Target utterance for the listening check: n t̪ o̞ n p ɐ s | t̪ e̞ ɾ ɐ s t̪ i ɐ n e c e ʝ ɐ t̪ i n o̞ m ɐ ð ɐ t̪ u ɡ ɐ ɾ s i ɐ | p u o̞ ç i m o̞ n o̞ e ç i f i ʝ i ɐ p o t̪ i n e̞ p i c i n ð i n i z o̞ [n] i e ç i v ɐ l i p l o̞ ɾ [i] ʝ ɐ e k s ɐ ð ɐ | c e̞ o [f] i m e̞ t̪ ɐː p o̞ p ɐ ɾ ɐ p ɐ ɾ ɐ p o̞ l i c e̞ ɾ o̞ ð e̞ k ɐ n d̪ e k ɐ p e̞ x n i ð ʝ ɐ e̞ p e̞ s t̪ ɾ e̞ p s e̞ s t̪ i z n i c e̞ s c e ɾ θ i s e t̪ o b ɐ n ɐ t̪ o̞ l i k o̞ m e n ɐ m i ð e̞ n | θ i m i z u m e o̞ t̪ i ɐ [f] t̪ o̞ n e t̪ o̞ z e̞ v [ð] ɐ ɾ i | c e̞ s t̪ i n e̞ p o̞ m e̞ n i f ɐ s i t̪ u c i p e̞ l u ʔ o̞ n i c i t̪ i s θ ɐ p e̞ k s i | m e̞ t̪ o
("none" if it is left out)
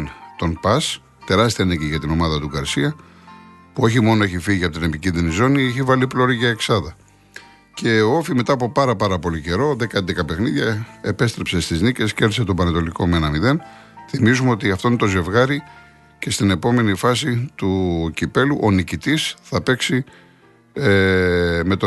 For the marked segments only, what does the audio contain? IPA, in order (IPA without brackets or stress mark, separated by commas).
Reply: n, i, f, f, ɣ